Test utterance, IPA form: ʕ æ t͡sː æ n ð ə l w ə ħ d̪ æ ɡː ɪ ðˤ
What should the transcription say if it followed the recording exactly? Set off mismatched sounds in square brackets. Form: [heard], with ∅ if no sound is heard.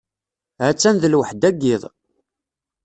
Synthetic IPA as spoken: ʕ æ t͡sː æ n ð ə l w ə ħ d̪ æ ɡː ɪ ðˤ